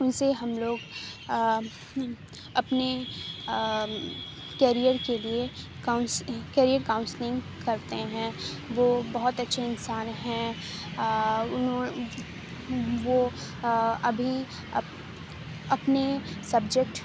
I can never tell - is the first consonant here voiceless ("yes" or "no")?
no